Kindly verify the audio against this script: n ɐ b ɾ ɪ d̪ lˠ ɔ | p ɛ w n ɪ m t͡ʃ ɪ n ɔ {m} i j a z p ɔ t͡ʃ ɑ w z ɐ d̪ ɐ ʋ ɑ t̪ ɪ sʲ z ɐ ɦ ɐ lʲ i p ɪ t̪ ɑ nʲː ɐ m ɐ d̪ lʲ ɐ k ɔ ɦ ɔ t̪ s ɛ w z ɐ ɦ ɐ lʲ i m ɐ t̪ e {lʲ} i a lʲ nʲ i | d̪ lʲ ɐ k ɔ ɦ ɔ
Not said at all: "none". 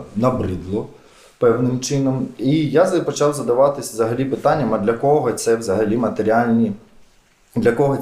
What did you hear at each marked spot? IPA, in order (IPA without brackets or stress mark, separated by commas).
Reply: m, ɾʲ